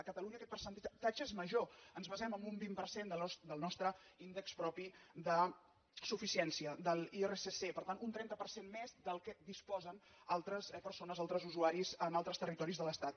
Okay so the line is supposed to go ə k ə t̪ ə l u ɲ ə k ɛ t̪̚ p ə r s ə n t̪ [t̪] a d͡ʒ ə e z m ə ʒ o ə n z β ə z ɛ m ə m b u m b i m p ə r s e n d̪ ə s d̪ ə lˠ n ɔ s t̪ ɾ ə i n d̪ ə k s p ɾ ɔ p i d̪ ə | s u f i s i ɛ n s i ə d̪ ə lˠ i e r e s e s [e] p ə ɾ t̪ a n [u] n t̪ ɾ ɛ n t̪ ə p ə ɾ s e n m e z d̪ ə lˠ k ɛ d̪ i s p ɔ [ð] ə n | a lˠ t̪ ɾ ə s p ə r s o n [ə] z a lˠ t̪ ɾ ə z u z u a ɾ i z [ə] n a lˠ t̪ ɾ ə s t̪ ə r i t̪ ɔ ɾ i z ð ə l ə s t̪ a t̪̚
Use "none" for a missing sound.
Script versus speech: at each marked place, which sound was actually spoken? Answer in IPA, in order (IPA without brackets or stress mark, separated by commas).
t̪, e, u, z, ə, ə